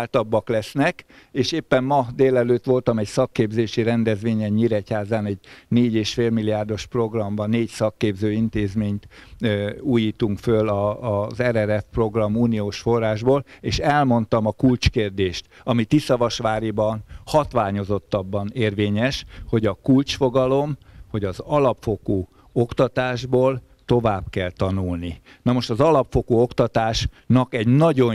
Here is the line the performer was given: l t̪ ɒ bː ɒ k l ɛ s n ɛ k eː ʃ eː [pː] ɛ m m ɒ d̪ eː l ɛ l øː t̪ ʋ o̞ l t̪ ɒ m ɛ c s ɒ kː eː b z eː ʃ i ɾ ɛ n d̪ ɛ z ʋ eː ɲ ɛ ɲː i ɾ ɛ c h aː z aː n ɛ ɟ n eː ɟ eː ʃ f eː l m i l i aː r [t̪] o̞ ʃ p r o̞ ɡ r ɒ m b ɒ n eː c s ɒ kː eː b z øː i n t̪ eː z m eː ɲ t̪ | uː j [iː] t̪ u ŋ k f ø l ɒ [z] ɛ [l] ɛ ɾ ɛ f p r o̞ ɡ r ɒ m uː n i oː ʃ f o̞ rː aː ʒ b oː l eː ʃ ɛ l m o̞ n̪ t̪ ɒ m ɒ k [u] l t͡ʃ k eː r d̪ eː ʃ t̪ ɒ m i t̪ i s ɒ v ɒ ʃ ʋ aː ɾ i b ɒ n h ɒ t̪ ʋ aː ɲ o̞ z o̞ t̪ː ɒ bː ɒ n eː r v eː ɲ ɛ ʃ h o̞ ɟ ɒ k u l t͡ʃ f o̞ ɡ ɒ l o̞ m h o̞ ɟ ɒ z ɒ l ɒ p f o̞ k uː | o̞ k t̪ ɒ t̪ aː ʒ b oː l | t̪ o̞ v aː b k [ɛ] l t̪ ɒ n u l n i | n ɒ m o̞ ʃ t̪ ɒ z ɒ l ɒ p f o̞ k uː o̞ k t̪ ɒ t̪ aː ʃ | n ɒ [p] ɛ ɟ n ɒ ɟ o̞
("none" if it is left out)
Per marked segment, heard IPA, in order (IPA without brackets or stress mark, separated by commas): pː, d̪, iː, z, ɾ, u, ɛ, k